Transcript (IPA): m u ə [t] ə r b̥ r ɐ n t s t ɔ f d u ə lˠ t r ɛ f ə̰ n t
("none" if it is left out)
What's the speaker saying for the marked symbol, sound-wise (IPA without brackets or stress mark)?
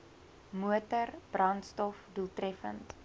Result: t